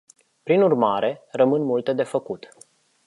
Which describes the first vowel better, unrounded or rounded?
unrounded